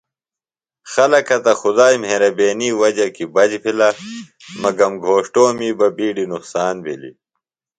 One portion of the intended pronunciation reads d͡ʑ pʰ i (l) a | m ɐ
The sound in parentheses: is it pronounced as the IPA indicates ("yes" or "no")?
yes